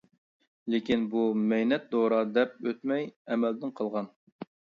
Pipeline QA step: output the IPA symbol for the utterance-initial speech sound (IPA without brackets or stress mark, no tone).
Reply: l